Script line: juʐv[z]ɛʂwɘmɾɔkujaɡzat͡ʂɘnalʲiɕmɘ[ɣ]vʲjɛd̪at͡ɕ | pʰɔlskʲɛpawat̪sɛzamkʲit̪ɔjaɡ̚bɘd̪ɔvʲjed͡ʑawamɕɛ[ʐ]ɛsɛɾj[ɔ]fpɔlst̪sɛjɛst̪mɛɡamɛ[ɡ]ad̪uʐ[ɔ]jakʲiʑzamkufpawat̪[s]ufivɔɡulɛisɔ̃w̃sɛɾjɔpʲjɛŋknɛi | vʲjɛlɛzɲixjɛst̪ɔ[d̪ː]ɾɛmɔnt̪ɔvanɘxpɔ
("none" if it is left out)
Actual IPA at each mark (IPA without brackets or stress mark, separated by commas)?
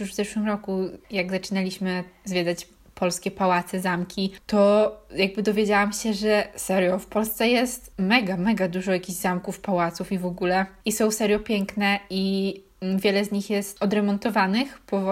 z, z, ʐ, ɔ, ɡ, ɔ, s, d̪